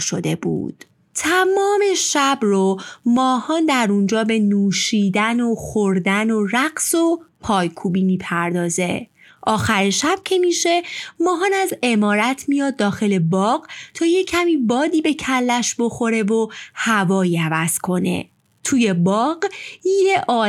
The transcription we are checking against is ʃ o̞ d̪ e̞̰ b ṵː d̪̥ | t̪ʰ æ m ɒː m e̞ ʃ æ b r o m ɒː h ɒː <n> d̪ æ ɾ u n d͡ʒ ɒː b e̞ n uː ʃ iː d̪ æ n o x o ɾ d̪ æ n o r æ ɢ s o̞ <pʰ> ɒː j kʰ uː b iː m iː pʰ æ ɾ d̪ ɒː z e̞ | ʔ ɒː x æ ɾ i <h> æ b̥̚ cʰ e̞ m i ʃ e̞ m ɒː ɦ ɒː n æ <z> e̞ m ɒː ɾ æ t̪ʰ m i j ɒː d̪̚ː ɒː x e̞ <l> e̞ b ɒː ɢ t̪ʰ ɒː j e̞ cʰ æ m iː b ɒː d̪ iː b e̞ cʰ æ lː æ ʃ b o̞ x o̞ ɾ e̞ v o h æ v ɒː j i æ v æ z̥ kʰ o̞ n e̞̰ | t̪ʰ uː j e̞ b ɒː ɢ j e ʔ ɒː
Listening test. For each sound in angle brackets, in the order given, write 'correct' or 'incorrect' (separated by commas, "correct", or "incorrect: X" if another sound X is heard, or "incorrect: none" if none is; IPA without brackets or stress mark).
correct, correct, incorrect: ʃ, correct, correct